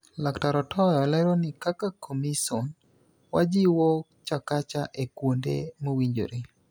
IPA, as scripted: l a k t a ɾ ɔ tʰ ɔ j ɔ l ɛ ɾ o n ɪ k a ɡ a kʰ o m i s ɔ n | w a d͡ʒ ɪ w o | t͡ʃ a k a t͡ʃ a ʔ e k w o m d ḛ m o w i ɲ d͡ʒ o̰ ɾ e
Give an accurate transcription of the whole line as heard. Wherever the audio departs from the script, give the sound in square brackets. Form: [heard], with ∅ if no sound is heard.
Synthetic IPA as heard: l a k t a ɾ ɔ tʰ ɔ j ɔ l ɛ ɾ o n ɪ k a [k] a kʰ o m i s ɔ n | w a d͡ʒ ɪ w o | t͡ʃ a k a t͡ʃ a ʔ e k w o [n] d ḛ m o w i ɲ d͡ʒ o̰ ɾ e

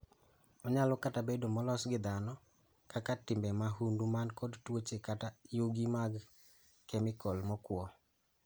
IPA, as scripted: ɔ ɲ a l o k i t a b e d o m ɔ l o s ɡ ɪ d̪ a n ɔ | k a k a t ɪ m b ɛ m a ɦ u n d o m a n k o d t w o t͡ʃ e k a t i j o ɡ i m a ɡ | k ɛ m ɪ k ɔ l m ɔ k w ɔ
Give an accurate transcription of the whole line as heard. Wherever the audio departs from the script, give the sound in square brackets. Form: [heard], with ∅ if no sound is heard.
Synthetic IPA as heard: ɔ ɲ a l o k [a] t a b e d o m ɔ l [ɔ] s ɡ ɪ d̪ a n ɔ | k a k a t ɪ m b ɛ m a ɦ u n d [u] m a n k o d t w o t͡ʃ e k a t [a] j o ɡ i m a ɡ | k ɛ m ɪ k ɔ l m ɔ k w ɔ

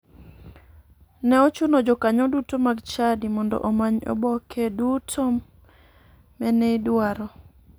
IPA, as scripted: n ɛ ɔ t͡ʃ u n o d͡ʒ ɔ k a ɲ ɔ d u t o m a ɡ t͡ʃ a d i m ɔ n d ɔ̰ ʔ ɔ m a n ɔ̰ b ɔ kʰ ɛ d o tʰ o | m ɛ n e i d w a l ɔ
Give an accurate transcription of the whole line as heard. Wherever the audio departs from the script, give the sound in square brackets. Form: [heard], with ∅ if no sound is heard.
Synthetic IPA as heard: n ɛ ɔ t͡ʃ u n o d͡ʒ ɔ k a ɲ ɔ d u t o m a ɡ t͡ʃ a d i m ɔ n d ɔ̰ ʔ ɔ m a [ɲ] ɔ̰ b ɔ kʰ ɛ d [u] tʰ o | m ɛ n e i d w a [ɾ] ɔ

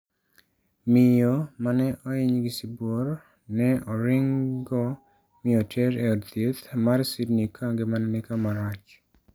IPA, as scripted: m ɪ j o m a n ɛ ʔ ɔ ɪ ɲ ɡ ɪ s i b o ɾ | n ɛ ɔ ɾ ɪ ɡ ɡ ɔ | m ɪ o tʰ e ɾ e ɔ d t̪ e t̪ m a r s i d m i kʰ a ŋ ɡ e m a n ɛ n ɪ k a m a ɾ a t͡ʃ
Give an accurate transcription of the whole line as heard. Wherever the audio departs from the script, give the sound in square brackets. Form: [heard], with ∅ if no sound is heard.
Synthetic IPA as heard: m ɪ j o m a n ɛ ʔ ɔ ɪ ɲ ɡ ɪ s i b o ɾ | n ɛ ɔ ɾ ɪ [ŋ] ɡ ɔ | m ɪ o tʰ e ɾ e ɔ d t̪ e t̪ m a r s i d [n] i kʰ a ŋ ɡ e m a n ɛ n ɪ k a m a ɾ a t͡ʃ

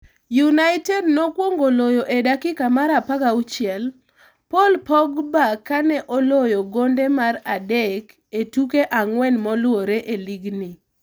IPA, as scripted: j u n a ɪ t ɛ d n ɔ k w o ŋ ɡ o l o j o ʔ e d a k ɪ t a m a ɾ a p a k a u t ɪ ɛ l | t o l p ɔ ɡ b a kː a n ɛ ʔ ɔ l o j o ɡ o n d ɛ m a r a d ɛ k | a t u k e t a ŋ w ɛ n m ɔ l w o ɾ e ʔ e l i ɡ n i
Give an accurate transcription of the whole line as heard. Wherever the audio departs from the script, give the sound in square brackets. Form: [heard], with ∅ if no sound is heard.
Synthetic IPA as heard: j u n a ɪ t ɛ d n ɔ k w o ŋ ɡ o l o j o ʔ e d a k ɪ [k] a m a ɾ a p a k a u [t͡ʃ] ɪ ɛ l | [p] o l p ɔ ɡ b a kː a n ɛ ʔ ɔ l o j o ɡ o n d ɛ m a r a d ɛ k | [e] t u k e [ʔ] a ŋ w ɛ n m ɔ l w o ɾ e ʔ e l i ɡ n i

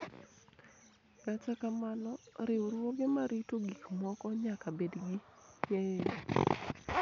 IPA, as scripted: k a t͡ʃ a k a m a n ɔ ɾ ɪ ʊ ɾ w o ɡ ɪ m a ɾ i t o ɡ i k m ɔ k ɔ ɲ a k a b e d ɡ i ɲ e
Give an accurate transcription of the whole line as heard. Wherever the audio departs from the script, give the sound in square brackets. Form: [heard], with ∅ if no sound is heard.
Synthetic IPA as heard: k a t͡ʃ a k a m a n ɔ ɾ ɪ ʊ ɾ w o ɡ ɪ m a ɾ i t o ɡ i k m ɔ k ɔ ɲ a k a b e d ɡ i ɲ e

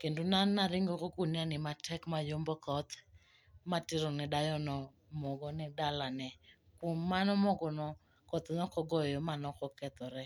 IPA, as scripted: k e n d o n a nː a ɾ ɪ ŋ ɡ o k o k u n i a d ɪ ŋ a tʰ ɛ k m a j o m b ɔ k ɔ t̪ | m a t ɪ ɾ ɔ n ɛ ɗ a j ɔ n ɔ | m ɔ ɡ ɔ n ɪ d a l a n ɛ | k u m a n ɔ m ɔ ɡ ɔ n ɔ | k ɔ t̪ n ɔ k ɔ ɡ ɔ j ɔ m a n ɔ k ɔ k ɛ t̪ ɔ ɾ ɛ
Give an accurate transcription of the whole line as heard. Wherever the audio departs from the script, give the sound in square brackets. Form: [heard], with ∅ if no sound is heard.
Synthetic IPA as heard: k e n d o n a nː a ɾ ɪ ŋ ɡ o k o k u n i a [n] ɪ [m] a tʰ ɛ k m a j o m b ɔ k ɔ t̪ | m a t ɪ ɾ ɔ n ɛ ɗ a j ɔ n ɔ | m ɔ ɡ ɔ n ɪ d a l a n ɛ | k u m a n ɔ m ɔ ɡ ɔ n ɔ | k ɔ t̪ n ɔ k ɔ ɡ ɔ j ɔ m a n ɔ k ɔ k ɛ t̪ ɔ ɾ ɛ

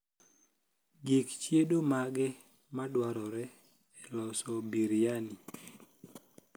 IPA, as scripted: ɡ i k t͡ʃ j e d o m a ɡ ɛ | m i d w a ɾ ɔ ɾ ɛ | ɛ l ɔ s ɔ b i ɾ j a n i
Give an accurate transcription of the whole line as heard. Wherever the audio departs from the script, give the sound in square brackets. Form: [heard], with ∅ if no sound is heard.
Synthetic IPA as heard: ɡ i k t͡ʃ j e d o m a ɡ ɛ | m [a] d w a ɾ ɔ ɾ ɛ | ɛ l ɔ s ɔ b i ɾ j a n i

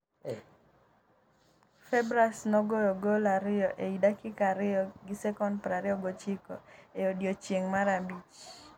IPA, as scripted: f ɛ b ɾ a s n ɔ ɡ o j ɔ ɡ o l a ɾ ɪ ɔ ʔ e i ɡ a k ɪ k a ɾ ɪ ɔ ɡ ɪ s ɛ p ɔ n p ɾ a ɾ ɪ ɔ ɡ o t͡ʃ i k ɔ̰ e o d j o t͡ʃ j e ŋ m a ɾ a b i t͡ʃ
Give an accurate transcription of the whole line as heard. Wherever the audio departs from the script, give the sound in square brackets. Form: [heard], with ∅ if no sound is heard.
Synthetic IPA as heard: f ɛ b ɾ a s n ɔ ɡ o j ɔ ɡ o l a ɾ ɪ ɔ ʔ e i [d] a k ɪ k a ɾ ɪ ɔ ɡ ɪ s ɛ [k] ɔ n p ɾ a ɾ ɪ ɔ ɡ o t͡ʃ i k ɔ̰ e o d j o t͡ʃ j e ŋ m a ɾ a b i t͡ʃ

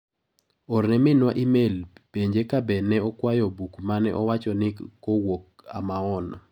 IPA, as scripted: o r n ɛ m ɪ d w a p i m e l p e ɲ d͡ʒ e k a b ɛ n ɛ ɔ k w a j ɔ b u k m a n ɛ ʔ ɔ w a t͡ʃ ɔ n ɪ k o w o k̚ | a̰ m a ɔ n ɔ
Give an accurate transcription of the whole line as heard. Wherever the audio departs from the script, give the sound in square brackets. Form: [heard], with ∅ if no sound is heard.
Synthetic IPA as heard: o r n ɛ m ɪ [n] w a [ʔ] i m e l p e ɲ d͡ʒ e k a b ɛ n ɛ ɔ k w a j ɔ b u k m a n ɛ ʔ ɔ w a t͡ʃ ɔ n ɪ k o w o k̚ | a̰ m a ɔ n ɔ

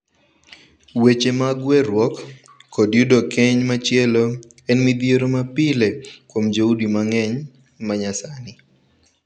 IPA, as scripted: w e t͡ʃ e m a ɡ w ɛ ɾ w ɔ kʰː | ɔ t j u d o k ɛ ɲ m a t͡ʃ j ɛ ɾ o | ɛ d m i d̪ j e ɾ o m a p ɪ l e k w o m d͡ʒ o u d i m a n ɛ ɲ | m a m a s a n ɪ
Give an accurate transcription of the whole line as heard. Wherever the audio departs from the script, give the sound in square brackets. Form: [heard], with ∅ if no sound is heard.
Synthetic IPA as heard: w e t͡ʃ e m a ɡ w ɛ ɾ w ɔ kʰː | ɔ [d] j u d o k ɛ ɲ m a t͡ʃ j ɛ [l] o | ɛ [n] m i d̪ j e ɾ o m a p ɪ l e k w o m d͡ʒ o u d i m a [ŋ] ɛ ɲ | m a [ɲ] a s a n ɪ

